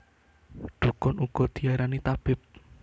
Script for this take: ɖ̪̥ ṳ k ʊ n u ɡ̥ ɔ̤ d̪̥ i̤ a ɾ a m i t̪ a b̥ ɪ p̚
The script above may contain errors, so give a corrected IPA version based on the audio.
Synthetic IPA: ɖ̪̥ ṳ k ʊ n u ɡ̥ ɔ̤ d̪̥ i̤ a ɾ a n i t̪ a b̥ ɪ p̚